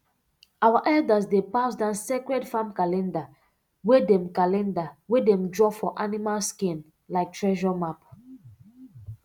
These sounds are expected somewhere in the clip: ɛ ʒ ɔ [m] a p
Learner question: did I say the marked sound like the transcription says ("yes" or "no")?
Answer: yes